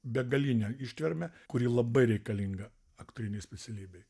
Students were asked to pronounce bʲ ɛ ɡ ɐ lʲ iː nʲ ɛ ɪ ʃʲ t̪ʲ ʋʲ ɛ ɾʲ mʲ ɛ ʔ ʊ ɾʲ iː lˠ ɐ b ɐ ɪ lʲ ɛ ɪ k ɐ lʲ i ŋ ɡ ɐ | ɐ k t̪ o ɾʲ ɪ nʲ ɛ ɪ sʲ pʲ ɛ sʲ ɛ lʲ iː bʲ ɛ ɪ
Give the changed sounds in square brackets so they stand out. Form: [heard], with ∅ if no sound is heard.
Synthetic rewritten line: bʲ ɛ ɡ ɐ lʲ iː nʲ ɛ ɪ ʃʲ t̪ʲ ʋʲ ɛ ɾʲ mʲ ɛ [k] ʊ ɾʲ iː lˠ ɐ b ɐ ɪ [ɾʲ] ɛ ɪ k ɐ lʲ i ŋ ɡ ɐ | ɐ k t̪ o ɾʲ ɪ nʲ ɛ ɪ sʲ pʲ ɛ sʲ ɛ lʲ iː bʲ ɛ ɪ